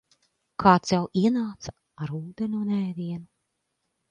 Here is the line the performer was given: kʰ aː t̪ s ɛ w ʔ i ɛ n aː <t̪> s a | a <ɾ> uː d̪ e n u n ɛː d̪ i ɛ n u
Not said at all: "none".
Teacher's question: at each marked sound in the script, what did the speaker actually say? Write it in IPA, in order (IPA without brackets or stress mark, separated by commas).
t̪, ɾ